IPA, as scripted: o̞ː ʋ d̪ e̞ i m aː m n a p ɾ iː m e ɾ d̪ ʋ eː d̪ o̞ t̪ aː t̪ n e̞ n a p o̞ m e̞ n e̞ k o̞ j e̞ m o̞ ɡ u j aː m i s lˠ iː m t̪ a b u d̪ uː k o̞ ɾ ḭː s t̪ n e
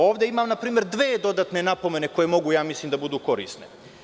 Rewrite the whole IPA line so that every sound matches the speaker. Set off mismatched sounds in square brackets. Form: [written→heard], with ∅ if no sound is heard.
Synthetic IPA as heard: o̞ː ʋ d̪ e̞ i m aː m n a p ɾ iː m e ɾ d̪ ʋ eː d̪ o̞ [t̪→d̪] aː t̪ n e̞ n a p o̞ m e̞ n e̞ k o̞ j e̞ m o̞ ɡ u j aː m i s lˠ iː m [t̪→d̪] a b u d̪ uː k o̞ ɾ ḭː s t̪ n e